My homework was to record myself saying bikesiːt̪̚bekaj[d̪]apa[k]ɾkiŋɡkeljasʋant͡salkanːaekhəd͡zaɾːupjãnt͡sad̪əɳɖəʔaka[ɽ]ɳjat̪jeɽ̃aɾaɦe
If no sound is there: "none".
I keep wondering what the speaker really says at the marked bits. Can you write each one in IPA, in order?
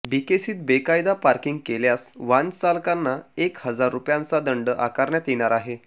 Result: d̪, none, ɾ

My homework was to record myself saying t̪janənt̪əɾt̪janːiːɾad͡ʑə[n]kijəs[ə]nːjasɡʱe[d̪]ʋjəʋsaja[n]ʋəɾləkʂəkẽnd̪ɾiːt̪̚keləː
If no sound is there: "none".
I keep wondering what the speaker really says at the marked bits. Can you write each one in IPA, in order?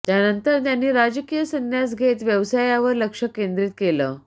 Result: none, ə, t̪, none

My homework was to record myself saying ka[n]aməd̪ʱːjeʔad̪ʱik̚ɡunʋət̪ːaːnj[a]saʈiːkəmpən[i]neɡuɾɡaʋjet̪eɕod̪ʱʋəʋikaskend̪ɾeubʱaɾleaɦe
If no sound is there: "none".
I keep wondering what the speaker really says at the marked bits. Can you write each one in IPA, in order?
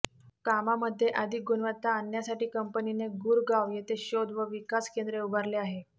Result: m, a, i

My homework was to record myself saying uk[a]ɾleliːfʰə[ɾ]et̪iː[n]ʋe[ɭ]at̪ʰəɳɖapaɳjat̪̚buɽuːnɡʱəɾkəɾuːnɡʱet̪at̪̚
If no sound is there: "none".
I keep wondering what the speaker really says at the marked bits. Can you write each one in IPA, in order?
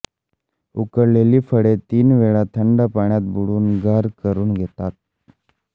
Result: ə, ɽ, n, ɭ

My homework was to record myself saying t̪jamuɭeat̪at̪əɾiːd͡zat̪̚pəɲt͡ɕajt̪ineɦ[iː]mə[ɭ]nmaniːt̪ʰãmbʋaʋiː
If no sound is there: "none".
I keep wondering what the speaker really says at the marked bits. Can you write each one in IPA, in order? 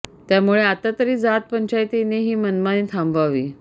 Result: iː, none

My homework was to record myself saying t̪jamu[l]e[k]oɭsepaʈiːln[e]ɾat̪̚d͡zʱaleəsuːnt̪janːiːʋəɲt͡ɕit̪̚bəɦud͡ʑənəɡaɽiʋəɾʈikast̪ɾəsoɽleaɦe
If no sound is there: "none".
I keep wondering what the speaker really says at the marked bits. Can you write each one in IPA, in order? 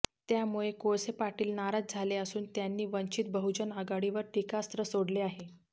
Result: ɭ, k, a

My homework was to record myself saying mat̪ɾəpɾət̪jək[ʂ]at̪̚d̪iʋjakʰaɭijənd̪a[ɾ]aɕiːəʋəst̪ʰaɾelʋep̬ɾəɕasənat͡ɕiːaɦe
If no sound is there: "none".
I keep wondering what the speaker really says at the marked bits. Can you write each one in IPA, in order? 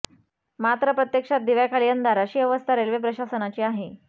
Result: ʂ, ɾ

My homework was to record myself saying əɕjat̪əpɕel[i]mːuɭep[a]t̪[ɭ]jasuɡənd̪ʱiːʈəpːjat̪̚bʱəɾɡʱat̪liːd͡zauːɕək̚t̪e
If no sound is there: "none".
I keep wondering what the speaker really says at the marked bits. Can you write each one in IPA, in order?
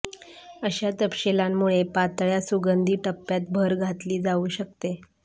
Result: a, a, ɭ

